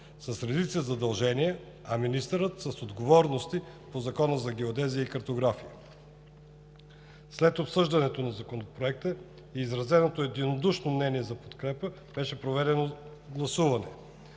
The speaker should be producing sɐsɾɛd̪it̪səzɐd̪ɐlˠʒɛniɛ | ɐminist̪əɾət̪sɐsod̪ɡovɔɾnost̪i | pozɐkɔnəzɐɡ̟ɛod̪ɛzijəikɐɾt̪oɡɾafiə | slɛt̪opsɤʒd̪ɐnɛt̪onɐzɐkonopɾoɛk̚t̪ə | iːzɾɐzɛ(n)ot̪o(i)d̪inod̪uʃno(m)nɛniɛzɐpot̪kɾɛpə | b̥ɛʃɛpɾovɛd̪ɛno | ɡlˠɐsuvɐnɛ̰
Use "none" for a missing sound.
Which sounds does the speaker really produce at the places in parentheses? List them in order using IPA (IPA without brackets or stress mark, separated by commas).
n, ɛ, m